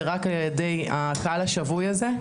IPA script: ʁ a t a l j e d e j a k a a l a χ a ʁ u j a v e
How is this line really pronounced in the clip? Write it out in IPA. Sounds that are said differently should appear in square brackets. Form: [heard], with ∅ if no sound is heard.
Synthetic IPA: ʁ a [k] a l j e d e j a k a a l a [ʃ] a [v] u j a [z] e